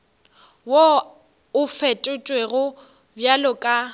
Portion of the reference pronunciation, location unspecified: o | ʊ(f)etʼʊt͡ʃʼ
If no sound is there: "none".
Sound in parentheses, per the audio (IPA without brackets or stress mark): f